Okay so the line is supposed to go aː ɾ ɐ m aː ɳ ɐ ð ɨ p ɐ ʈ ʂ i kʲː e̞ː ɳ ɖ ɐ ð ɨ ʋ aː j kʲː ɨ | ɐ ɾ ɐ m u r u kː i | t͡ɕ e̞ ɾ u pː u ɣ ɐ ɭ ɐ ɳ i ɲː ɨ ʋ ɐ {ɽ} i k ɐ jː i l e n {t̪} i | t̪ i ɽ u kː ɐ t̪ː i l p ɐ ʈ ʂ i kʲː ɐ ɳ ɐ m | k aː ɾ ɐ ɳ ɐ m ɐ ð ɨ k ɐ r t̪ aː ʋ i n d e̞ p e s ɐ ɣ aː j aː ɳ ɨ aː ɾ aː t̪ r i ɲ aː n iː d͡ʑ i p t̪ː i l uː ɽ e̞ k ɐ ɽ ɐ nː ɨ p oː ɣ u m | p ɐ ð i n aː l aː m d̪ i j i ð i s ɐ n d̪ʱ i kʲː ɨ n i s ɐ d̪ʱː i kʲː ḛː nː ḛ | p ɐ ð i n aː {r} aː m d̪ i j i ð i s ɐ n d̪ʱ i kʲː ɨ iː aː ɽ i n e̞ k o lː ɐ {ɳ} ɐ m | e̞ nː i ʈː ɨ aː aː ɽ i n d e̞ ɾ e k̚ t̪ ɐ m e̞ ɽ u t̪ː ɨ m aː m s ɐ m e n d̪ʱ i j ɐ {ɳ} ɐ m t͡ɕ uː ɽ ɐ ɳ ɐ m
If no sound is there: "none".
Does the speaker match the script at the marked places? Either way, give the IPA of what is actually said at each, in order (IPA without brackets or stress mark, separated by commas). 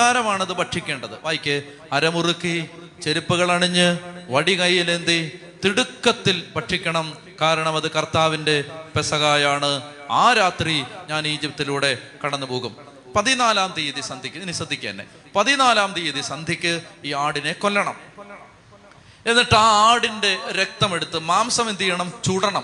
ɽ, d̪, l, ɳ, ɳ